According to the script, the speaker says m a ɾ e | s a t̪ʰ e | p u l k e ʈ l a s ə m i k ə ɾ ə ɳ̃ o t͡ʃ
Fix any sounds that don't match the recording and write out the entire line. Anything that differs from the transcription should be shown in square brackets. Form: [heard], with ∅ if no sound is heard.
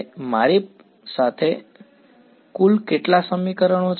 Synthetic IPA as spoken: m a ɾ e | s a t̪ʰ e | [k] u l k e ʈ l a s ə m i k ə ɾ ə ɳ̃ o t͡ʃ